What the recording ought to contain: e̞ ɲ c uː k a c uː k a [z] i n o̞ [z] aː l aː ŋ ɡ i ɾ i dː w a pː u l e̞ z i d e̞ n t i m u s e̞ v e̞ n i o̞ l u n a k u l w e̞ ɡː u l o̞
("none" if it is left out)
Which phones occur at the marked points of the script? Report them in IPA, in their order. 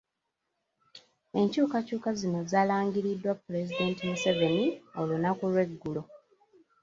z, z

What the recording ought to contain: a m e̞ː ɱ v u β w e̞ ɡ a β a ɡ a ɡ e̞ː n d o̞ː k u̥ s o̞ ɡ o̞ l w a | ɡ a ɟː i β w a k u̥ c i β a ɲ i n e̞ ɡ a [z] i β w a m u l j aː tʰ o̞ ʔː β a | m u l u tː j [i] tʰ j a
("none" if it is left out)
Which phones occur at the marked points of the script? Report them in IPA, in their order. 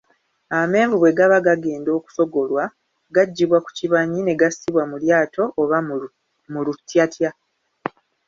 s, a

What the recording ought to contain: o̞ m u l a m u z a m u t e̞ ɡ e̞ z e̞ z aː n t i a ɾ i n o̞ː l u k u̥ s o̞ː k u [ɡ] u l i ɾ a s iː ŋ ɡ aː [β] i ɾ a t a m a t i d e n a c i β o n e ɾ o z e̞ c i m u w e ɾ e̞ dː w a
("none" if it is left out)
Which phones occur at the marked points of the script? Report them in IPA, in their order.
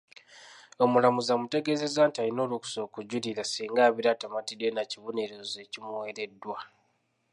ɟ, β

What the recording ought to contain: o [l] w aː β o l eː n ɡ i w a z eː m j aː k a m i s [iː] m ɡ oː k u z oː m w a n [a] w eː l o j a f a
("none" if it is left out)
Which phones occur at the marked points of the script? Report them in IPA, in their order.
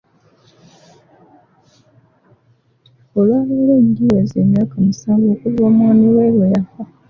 l, aː, i

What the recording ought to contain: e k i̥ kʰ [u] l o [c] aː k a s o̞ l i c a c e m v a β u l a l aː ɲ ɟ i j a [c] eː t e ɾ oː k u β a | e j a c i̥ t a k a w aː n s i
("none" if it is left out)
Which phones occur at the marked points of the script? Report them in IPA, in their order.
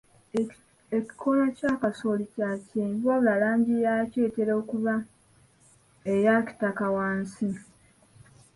o, c, c

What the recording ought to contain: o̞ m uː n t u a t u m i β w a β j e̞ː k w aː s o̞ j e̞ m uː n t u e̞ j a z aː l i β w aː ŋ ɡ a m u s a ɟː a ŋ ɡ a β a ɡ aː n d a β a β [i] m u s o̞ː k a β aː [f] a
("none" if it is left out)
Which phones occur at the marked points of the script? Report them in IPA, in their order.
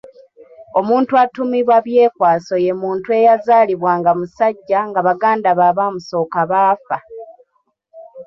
a, f

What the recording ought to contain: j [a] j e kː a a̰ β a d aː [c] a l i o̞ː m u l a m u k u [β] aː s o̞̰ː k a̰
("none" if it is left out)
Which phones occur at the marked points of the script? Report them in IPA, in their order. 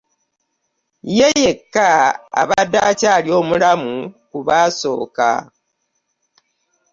e, c, β

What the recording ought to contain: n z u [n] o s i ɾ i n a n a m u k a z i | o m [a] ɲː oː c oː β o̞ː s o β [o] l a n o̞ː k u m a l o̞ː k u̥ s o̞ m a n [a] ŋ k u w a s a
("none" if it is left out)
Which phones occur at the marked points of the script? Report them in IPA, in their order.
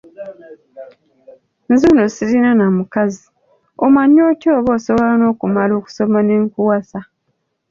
n, a, o, e

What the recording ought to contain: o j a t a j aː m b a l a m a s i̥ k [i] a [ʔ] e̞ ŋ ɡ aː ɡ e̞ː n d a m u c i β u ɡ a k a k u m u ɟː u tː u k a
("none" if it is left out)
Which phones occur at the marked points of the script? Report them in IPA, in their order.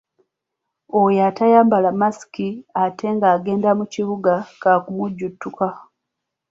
i, t

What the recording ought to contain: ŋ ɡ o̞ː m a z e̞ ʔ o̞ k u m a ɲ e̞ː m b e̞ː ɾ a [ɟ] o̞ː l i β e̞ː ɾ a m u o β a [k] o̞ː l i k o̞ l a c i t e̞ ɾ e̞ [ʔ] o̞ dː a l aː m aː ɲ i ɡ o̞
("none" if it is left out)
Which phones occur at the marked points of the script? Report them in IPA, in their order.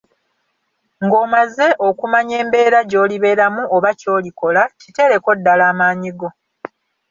ɟ, c, k

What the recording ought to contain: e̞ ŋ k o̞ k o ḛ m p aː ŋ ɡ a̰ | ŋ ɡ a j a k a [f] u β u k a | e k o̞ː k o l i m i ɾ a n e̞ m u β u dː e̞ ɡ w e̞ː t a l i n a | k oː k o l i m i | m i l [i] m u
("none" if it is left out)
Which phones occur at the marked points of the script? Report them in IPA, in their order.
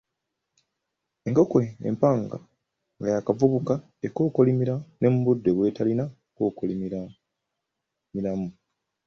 v, a

